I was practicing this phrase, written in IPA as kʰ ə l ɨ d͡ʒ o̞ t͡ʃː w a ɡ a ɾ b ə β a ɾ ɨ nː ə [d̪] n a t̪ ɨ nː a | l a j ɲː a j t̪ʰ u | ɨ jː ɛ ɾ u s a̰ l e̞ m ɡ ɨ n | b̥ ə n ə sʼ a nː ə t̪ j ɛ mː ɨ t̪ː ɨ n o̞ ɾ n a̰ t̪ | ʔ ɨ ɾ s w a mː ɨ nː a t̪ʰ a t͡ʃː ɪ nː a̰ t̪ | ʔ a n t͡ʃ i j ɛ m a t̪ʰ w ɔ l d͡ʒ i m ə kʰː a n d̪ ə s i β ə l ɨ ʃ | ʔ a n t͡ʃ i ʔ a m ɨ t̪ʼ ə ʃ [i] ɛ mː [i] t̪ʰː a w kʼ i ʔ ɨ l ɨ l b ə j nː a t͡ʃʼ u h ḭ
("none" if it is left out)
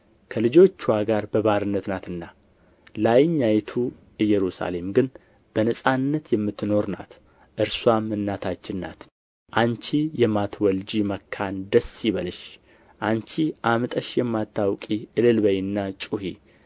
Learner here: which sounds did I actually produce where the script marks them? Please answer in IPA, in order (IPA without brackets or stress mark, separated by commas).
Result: t̪, j, a